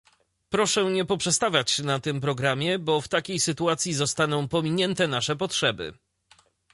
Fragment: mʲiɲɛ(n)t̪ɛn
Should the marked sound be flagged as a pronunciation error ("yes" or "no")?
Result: no